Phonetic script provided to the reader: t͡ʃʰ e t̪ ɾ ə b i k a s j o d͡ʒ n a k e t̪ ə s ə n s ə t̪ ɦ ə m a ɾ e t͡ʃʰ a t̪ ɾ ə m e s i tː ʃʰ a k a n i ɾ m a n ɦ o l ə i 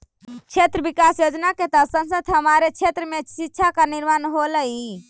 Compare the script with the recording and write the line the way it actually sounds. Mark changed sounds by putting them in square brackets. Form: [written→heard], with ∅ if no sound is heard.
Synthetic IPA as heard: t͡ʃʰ e t̪ ɾ ə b i k a s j o d͡ʒ n a k e t̪ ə s ə n s ə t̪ ɦ ə m a ɾ e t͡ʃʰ [a→e] t̪ ɾ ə m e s i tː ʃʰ a k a n i ɾ m a n ɦ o l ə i